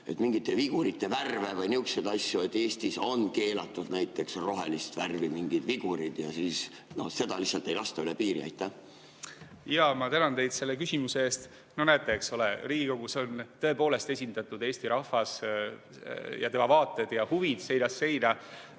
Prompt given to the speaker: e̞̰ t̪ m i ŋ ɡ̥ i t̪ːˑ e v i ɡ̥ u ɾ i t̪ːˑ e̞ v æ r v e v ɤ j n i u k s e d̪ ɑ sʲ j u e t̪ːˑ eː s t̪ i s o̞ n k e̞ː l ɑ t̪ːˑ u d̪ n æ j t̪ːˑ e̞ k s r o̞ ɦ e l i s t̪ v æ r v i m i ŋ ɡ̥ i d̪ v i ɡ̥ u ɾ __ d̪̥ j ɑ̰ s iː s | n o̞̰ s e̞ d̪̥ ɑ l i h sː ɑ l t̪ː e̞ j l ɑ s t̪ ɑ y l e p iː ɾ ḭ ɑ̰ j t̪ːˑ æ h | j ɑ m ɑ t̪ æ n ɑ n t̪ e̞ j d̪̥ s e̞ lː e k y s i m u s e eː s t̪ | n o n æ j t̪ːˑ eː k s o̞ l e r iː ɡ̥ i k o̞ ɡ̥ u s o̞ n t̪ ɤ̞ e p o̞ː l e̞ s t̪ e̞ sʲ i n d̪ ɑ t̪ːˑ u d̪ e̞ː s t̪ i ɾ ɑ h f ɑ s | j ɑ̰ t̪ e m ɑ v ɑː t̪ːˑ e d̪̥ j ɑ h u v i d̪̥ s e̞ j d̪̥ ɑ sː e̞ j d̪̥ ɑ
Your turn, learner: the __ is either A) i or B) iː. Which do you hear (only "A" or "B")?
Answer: A